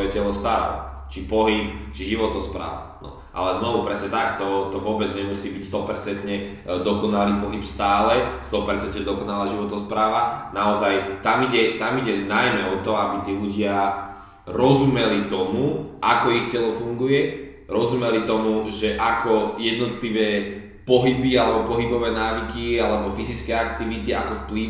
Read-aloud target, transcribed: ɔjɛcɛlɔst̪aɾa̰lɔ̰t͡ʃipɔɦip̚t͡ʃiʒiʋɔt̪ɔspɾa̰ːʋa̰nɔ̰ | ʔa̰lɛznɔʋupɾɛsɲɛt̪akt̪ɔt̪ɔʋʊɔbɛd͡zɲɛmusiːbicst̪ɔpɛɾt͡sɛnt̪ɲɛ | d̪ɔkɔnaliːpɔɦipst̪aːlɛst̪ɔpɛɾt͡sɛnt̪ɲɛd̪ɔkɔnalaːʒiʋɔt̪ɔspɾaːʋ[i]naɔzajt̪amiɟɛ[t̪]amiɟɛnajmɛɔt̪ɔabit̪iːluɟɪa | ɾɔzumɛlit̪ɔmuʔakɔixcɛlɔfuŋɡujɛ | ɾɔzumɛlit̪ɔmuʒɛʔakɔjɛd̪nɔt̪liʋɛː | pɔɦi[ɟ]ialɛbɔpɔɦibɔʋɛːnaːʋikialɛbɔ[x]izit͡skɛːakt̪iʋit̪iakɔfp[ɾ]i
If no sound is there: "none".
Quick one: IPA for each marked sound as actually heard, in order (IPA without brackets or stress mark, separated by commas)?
a, t̪, b, f, l